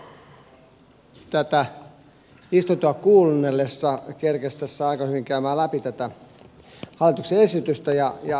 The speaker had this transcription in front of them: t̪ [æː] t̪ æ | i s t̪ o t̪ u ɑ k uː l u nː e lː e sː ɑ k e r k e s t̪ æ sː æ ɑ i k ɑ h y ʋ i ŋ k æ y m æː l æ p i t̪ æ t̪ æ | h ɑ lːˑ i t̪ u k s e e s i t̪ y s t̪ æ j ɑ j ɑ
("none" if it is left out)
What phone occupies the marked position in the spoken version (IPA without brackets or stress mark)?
æ